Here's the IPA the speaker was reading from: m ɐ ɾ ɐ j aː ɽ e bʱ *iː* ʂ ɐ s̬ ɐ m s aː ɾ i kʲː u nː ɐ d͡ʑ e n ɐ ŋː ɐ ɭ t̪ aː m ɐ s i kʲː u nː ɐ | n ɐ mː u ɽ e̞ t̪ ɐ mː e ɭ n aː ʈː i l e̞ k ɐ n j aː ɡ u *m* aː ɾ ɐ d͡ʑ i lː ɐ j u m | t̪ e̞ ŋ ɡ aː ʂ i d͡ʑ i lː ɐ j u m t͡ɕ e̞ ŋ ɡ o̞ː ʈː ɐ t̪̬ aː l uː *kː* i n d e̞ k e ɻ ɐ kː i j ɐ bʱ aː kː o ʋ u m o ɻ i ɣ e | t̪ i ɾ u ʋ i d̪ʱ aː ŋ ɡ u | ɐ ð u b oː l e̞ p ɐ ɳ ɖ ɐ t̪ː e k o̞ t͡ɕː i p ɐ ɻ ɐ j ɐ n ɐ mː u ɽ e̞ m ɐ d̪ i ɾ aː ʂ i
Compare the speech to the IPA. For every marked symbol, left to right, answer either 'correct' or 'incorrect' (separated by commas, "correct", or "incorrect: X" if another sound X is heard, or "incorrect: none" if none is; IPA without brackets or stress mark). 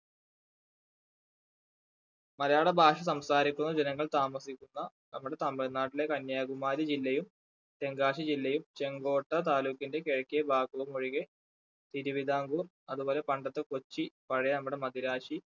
incorrect: aː, correct, correct